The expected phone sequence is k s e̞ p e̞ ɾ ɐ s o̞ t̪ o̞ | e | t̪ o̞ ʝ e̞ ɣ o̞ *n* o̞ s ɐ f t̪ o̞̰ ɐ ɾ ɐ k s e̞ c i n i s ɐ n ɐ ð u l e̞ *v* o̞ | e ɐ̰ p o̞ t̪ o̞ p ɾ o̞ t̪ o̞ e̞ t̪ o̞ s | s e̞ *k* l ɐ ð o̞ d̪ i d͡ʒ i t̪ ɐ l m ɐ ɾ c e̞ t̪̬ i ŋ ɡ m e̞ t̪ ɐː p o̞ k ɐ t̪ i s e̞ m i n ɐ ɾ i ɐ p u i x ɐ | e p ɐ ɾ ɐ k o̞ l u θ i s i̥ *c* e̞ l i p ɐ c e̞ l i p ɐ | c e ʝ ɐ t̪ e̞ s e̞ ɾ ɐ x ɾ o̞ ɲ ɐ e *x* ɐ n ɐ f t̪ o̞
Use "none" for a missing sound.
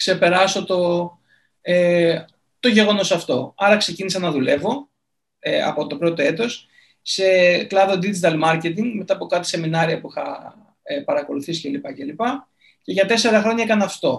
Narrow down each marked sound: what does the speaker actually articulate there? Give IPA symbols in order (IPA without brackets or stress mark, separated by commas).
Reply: n, v, k, c, k